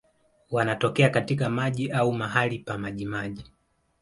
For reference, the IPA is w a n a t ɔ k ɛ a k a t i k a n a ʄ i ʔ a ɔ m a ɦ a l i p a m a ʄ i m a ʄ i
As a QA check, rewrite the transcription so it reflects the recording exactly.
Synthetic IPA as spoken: w a n a t ɔ k ɛ a k a t i k a m a ʄ i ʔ a u m a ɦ a l i p a m a ʄ i m a ʄ i